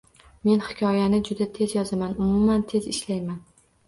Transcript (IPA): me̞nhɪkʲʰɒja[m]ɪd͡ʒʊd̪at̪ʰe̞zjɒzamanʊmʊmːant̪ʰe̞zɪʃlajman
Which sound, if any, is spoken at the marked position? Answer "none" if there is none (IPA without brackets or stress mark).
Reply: n